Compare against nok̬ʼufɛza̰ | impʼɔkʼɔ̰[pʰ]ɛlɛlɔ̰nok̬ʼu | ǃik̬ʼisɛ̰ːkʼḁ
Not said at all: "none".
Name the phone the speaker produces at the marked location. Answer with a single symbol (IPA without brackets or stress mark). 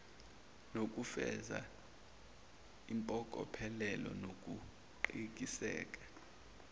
pʰ